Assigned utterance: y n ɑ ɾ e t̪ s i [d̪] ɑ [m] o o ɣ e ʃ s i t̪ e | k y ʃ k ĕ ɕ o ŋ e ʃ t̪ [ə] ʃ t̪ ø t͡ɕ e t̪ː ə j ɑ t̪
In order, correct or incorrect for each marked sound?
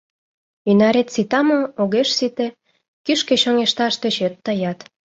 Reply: incorrect: t̪, correct, incorrect: ɑ

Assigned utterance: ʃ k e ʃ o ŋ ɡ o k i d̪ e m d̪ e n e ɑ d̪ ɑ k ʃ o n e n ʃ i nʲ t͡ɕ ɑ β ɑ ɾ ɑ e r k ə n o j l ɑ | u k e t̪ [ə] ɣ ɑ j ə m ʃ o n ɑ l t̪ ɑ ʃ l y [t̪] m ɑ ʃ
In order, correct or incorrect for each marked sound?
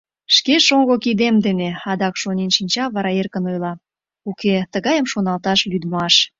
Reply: correct, incorrect: d̪

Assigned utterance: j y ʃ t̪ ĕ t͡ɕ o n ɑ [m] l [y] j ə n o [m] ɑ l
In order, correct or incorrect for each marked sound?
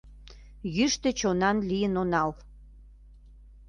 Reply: incorrect: n, incorrect: i, incorrect: n

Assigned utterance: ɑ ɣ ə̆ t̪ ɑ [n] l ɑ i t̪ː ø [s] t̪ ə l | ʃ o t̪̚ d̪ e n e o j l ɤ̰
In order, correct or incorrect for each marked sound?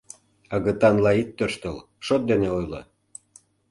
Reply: correct, incorrect: ʃ

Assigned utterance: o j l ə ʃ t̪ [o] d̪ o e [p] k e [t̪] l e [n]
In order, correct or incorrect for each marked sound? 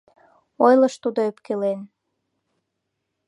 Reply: incorrect: u, correct, incorrect: none, correct

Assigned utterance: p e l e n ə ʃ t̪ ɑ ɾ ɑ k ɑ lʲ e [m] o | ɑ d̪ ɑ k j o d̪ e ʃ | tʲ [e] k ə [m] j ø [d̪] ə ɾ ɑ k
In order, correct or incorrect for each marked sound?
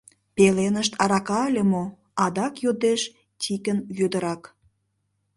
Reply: correct, incorrect: i, incorrect: n, correct

